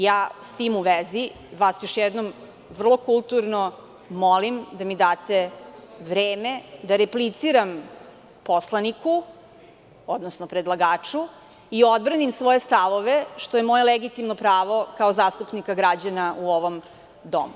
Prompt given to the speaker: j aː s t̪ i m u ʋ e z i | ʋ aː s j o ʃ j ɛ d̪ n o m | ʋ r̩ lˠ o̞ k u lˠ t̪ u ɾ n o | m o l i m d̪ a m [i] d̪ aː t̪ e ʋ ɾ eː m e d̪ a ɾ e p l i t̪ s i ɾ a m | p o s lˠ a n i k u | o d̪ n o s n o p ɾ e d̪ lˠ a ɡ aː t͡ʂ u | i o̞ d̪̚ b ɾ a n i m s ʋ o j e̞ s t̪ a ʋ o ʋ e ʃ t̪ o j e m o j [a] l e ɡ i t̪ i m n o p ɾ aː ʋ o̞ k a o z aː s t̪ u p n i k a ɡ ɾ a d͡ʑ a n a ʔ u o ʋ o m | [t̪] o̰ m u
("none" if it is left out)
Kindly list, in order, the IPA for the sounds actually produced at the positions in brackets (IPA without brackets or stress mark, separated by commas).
i, e, d̪